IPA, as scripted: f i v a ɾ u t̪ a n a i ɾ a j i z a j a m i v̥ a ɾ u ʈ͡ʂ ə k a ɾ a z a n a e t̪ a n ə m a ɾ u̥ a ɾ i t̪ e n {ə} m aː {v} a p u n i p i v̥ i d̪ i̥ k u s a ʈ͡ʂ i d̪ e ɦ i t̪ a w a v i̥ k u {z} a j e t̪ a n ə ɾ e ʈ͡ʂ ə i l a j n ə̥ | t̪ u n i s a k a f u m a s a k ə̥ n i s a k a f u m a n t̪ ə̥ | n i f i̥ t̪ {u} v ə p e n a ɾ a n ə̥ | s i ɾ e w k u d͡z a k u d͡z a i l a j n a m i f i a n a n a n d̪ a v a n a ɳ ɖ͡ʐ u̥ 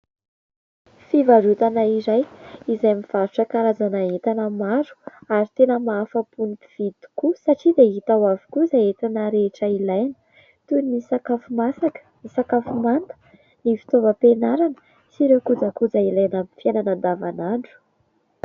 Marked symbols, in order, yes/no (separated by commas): yes, no, yes, no